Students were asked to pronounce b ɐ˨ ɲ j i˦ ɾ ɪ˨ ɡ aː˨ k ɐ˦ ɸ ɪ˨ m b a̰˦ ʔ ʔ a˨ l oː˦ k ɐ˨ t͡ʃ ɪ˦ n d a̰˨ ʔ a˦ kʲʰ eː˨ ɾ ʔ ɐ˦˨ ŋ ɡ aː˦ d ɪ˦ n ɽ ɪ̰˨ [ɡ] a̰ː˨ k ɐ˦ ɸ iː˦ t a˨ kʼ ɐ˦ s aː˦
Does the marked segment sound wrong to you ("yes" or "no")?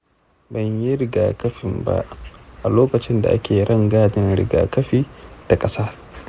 no